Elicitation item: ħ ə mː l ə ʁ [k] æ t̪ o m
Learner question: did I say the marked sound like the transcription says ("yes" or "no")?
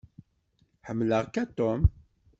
yes